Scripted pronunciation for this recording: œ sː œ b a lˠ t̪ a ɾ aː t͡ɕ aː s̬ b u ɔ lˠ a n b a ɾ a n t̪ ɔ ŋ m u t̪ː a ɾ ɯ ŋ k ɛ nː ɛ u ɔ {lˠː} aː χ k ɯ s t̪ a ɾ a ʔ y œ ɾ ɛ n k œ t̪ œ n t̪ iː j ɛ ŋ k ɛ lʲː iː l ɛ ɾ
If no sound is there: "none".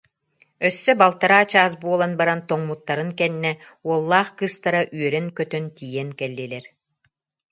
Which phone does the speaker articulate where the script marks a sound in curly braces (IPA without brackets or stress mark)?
lˠː